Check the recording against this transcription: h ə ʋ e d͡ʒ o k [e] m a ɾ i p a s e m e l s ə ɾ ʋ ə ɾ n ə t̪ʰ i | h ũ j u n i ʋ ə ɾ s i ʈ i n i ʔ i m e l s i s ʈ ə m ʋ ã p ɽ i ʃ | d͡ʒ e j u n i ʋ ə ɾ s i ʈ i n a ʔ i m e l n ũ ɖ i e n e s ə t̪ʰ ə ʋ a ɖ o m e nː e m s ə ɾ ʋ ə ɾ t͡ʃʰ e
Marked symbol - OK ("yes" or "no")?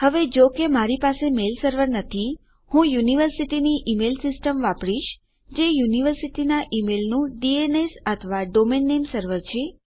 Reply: yes